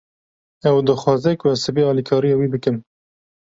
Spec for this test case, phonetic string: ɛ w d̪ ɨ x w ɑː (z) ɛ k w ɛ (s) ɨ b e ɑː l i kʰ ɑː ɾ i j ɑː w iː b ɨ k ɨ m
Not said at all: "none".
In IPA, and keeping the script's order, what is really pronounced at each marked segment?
z, s

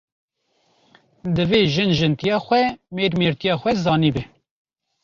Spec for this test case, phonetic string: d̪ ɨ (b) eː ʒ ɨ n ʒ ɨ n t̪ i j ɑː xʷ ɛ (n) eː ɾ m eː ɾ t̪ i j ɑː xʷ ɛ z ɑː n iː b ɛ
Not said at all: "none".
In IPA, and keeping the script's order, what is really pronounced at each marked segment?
v, m

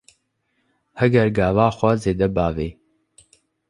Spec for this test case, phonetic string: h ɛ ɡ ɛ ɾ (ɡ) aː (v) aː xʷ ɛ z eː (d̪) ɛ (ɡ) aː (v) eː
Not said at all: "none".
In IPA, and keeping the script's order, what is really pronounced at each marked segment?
ɡ, v, d̪, b, v

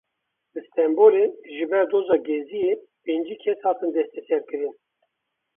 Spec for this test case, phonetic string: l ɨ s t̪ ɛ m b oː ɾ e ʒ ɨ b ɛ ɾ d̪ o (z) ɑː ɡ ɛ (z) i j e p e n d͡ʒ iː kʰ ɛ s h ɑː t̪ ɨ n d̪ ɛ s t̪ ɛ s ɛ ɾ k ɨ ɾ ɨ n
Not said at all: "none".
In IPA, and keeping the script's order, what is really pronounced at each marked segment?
z, z

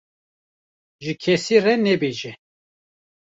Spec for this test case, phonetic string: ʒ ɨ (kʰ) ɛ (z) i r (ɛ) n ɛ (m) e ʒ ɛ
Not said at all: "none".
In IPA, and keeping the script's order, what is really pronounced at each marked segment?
kʰ, s, ɛ, b

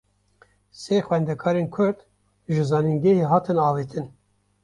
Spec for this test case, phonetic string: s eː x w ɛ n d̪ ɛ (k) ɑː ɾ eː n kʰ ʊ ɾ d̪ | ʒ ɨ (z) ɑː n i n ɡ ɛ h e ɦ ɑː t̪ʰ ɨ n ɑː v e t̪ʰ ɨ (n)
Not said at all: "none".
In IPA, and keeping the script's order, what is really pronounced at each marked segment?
kʰ, z, n

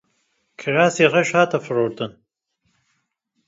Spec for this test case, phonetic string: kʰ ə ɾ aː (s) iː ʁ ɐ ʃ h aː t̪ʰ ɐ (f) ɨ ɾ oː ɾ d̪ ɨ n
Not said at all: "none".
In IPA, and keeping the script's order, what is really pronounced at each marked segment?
s, f

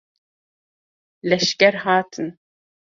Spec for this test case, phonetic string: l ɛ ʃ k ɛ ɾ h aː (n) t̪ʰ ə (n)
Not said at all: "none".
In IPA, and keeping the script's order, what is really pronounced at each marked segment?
none, n

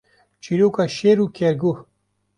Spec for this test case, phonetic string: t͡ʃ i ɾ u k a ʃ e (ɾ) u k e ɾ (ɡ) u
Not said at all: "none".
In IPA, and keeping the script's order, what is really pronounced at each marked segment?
ɾ, ɡ

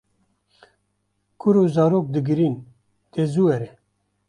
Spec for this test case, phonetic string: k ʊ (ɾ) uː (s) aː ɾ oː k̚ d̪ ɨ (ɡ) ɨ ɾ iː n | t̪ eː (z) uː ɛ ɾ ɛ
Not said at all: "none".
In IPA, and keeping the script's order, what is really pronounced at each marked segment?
ɾ, z, ɡ, z

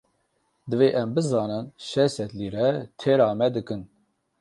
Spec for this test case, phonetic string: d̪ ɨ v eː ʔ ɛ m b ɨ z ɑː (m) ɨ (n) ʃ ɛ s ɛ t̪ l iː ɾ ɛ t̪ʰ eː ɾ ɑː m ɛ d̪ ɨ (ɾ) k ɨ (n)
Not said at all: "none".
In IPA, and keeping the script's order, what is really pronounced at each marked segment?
n, n, none, n

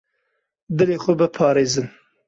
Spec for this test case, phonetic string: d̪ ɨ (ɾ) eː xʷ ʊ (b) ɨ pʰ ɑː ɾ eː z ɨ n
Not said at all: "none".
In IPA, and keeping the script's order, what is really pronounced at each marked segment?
l, b

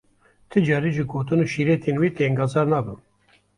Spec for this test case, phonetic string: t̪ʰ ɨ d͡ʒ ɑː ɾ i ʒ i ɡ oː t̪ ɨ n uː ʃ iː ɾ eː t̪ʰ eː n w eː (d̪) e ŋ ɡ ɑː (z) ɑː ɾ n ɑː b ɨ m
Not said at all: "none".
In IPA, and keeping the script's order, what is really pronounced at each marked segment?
t̪, z

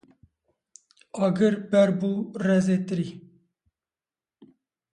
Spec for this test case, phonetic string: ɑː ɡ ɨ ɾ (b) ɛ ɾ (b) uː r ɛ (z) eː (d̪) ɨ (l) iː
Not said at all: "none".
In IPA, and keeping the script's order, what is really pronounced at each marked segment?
b, b, z, t̪, ɾ

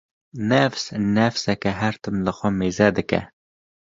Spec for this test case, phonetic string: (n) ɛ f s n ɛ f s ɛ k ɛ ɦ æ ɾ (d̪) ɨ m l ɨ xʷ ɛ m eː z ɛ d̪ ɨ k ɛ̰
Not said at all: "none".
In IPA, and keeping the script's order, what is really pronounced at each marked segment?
n, t̪

